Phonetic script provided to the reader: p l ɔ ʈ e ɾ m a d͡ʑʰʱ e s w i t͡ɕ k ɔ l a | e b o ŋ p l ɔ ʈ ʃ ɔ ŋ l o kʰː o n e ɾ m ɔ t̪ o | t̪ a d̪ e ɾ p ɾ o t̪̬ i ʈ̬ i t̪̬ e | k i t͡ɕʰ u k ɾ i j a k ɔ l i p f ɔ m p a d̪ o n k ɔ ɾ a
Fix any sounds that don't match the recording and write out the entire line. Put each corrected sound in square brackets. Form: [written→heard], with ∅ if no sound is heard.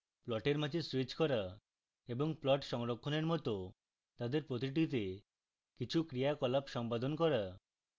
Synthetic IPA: p l ɔ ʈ e ɾ m a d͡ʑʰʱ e s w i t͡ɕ k ɔ [l→ɾ] a | e b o ŋ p l ɔ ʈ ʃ ɔ ŋ [l→ɾ] o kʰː o n e ɾ m ɔ t̪ o | t̪ a d̪ e ɾ p ɾ o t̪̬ i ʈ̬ i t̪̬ e | k i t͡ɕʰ u k ɾ i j a k ɔ l [i→a] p [f→ʃ] ɔ m p a d̪ o n k ɔ ɾ a